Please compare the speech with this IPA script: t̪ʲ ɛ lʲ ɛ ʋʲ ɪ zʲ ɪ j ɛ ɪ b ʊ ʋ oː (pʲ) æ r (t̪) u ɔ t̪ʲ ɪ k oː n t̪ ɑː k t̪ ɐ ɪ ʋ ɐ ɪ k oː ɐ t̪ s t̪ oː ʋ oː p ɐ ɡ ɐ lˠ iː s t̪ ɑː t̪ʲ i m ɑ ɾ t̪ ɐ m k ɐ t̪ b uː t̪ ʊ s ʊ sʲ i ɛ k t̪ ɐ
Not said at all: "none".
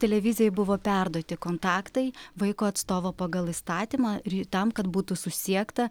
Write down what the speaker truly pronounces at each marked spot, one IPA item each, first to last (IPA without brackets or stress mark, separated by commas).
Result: pʲ, d̪